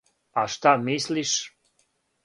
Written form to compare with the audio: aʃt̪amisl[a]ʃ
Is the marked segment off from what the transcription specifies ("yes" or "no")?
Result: yes